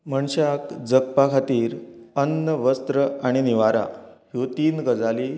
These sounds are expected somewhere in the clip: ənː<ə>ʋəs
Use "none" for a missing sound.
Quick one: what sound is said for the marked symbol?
ə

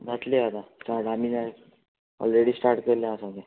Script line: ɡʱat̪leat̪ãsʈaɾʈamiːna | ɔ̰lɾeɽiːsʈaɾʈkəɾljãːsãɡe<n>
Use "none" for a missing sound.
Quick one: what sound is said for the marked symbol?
none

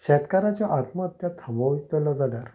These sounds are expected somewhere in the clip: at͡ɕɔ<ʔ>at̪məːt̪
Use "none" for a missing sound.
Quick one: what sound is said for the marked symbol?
ʔ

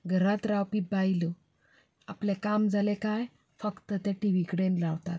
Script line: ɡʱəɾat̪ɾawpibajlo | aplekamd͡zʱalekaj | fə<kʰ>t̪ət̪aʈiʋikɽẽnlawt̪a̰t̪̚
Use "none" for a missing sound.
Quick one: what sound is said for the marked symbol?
k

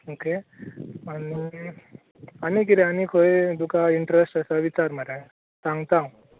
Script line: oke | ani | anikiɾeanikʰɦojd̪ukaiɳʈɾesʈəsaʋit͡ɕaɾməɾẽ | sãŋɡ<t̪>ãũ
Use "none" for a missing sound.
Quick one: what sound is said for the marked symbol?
t̪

